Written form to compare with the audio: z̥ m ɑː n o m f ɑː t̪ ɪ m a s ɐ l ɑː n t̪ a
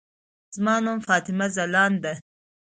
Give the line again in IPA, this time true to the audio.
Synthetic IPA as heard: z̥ m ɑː n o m f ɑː t̪ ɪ m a z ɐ l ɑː n d̪ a